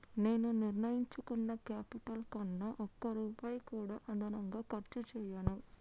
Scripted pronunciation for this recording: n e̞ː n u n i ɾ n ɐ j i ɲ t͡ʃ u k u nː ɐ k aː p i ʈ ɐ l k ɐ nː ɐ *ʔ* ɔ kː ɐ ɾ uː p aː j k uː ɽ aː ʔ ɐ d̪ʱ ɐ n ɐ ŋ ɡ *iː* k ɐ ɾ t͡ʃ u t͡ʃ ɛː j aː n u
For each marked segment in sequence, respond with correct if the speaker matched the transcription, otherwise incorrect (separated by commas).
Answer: correct, incorrect